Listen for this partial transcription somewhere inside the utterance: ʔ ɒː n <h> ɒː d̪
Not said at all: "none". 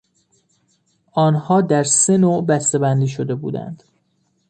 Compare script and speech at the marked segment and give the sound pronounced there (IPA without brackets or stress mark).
h